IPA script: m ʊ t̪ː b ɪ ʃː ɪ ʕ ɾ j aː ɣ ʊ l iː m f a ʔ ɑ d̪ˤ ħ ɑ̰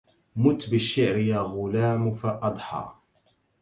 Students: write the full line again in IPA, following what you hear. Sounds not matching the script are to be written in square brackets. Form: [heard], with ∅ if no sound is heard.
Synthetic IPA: m ʊ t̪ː b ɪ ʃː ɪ ʕ ɾ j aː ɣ ʊ l [aː] m f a ʔ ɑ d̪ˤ ħ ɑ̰